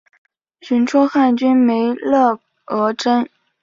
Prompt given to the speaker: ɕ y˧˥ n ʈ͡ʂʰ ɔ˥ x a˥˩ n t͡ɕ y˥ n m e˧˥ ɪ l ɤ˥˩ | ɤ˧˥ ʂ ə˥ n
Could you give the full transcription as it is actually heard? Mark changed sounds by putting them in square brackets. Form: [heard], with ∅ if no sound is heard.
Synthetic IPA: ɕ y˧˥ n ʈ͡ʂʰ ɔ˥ x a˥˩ n t͡ɕ y˥ n m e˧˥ ɪ l ɤ˥˩ | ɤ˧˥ [ʈ͡ʂ] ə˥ n